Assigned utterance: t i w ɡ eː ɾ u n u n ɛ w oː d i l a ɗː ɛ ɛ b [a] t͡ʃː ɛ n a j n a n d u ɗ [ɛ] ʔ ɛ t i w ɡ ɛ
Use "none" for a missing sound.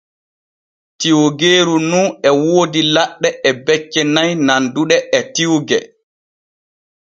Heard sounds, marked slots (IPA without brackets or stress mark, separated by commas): ɛ, ɛ